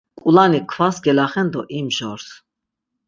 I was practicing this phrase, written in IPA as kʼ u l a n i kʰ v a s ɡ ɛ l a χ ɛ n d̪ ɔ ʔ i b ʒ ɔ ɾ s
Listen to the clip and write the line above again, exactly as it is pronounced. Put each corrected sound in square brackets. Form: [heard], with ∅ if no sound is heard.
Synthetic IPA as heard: kʼ u l a n i kʰ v a s ɡ ɛ l a χ ɛ n d̪ ɔ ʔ i [m] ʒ ɔ ɾ s

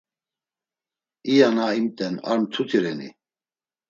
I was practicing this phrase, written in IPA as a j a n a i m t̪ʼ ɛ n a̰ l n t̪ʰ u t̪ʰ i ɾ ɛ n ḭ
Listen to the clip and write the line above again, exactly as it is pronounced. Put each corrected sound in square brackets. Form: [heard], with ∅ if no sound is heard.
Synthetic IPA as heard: [i] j a n a i m t̪ʼ ɛ n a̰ [ɾ] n t̪ʰ u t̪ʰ i ɾ ɛ n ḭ

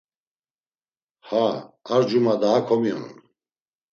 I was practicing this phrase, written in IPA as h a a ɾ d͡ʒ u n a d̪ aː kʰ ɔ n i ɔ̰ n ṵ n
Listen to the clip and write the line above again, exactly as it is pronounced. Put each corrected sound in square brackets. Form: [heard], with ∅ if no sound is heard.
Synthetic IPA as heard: h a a ɾ d͡ʒ u [m] a d̪ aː kʰ ɔ [m] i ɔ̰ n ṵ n

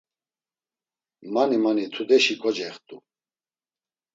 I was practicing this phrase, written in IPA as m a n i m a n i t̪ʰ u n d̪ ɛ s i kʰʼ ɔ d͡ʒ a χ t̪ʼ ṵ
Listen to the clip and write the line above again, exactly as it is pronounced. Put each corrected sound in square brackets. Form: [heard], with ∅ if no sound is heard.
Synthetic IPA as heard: m a n i m a n i t̪ʰ u [∅] d̪ ɛ [ʃ] i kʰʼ ɔ d͡ʒ [ɛ] χ t̪ʼ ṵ

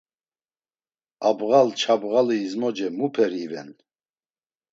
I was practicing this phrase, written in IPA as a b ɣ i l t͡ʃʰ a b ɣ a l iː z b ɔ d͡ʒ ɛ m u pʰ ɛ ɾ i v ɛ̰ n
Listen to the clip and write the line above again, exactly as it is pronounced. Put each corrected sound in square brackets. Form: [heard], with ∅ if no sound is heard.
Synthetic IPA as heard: a b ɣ [a] l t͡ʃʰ a b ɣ a l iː z [m] ɔ d͡ʒ ɛ m u pʰ ɛ ɾ i v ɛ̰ n

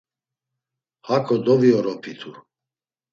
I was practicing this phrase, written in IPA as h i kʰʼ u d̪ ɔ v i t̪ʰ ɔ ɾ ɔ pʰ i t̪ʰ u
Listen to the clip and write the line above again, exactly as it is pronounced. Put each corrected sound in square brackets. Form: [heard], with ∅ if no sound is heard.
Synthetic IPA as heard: h [a] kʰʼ [ɔ] d̪ ɔ v i [∅] ɔ ɾ ɔ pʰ i t̪ʰ u

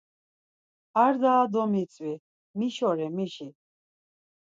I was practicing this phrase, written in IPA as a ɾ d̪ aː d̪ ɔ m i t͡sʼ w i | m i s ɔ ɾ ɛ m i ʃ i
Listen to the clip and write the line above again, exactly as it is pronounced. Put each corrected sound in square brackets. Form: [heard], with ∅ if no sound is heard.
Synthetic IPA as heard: a ɾ d̪ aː d̪ ɔ m i t͡sʼ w i | m i [ʃ] ɔ ɾ ɛ m i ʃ i

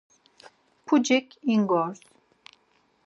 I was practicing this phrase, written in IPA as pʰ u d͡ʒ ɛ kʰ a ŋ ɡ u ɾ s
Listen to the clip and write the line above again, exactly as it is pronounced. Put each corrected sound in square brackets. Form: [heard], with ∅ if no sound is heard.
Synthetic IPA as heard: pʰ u d͡ʒ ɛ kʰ [i] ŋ ɡ [ɔ] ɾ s

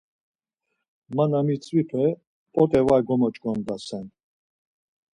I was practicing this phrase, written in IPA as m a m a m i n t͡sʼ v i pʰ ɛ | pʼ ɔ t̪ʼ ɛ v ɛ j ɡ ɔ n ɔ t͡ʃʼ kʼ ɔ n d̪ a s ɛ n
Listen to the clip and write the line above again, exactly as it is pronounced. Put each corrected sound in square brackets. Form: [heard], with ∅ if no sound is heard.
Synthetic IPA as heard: m a [n] a m i [∅] t͡sʼ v i pʰ ɛ | pʼ ɔ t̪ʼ ɛ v [a] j ɡ ɔ [m] ɔ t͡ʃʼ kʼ ɔ n d̪ a s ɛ n

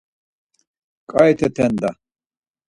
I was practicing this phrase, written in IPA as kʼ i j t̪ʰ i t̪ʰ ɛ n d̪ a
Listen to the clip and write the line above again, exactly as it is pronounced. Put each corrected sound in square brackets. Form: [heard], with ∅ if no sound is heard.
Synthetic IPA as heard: kʼ [a] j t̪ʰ [ɛ] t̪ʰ ɛ n d̪ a

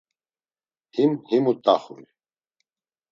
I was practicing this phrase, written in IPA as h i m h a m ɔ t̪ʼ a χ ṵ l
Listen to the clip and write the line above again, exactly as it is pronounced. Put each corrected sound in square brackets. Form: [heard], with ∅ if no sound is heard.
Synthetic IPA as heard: h i m h [i] m [u] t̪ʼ a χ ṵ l

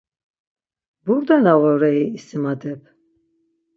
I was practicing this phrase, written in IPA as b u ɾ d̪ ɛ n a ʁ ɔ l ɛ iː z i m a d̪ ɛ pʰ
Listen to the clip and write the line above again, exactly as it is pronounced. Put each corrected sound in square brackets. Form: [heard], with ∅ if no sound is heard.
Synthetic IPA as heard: b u ɾ d̪ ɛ n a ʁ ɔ [ɾ] ɛ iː [s] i m a d̪ ɛ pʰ

